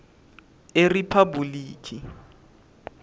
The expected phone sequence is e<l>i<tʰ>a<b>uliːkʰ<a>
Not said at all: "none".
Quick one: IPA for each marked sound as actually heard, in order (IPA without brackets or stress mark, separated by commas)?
r, pʰ, b, i